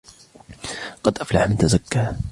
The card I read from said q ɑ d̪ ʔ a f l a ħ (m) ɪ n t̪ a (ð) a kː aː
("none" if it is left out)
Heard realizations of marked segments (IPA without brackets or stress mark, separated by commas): m, z